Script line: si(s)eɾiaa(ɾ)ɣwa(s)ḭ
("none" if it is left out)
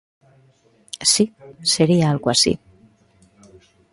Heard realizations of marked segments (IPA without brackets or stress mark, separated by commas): s, l, s